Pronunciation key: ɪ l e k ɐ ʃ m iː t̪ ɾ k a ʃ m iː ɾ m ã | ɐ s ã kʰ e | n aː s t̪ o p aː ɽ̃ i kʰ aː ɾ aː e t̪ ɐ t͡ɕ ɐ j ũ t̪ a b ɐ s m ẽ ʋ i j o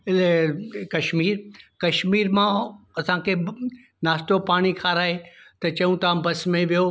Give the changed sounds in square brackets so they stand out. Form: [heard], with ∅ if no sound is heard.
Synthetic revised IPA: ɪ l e k ɐ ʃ m iː [∅] ɾ k [ɐ] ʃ m iː ɾ m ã | ɐ s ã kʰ e | n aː s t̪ o p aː ɽ̃ i kʰ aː ɾ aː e t̪ ɐ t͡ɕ ɐ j ũ t̪ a b ɐ s m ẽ ʋ i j o